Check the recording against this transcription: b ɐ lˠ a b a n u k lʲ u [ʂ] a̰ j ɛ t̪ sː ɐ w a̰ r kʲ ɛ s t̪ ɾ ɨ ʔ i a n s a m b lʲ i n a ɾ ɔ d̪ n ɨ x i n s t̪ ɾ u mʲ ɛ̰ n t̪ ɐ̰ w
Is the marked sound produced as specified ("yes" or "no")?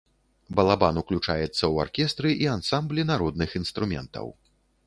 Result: no